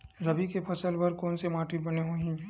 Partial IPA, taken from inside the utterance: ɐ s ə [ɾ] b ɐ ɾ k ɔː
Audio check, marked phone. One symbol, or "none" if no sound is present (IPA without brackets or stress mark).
l